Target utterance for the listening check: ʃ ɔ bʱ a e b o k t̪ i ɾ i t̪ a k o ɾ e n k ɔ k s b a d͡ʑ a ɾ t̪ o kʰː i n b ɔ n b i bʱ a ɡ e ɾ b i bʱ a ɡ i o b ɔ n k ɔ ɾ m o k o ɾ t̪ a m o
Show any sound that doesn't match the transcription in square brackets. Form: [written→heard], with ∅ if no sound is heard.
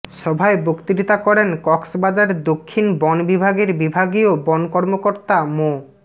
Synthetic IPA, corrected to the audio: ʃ ɔ bʱ a e b o k t̪ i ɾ i t̪ a k [o→ɔ] ɾ e n k ɔ k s b a d͡ʑ a ɾ [t̪→d̪] o kʰː i n b ɔ n b i bʱ a ɡ e ɾ b i bʱ a ɡ i o b ɔ n k ɔ ɾ m o k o ɾ t̪ a m o